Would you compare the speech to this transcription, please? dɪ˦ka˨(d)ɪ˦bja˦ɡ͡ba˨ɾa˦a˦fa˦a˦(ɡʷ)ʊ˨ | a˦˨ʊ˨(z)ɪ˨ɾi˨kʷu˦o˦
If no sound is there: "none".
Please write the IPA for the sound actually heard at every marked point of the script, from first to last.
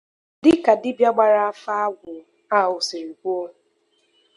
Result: d, ɡʷ, s

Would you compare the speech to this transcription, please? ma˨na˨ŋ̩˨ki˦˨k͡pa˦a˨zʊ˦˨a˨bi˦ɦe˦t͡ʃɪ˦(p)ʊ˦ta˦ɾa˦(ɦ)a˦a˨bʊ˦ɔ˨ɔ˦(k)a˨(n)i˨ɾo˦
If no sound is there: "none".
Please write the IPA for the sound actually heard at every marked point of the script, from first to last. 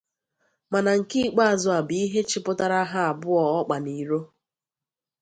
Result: p, ɦ, k͡p, n

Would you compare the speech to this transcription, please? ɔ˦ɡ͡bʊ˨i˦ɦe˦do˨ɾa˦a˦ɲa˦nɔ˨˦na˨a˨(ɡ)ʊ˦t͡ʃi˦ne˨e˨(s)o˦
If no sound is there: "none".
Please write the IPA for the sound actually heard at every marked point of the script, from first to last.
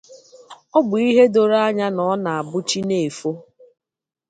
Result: b, f

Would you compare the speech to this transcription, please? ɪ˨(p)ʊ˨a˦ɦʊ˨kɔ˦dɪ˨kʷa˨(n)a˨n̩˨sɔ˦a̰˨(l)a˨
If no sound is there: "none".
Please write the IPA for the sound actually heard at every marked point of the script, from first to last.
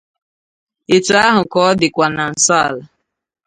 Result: t, n, l

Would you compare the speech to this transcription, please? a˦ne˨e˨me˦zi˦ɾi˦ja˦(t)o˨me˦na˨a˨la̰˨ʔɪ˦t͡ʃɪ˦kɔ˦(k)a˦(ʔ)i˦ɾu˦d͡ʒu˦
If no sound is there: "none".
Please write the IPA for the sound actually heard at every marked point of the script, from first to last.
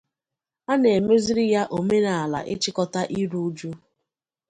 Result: ʔ, t, ʔ

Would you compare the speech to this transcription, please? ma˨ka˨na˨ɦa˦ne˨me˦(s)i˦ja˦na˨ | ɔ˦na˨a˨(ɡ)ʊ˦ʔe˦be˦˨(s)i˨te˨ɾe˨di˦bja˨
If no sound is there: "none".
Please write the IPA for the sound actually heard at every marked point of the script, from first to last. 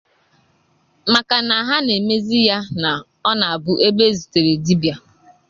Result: z, b, z

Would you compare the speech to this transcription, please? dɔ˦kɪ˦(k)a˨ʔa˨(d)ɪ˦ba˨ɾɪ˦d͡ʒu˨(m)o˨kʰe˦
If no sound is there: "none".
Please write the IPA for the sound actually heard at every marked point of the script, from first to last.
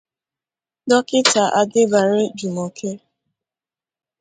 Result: t, d, m

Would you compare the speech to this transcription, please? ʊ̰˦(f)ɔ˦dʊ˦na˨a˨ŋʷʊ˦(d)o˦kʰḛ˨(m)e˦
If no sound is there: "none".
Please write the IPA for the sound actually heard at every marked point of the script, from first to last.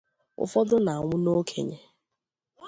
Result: f, n, ɲ

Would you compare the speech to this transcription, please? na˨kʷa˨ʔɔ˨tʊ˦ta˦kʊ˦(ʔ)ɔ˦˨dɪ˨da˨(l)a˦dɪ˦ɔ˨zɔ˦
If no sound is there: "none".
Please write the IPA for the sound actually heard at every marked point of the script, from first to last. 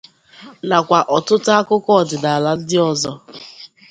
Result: k, l

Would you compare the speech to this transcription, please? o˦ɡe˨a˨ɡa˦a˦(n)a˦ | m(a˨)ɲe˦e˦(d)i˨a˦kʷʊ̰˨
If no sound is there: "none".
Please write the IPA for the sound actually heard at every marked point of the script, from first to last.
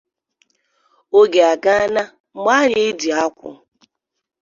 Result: n, a˦, d

